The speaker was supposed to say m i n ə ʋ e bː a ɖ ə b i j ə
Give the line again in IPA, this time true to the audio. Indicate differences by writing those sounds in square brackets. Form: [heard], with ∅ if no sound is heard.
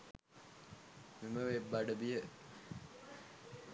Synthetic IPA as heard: m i [m] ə ʋ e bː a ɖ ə b i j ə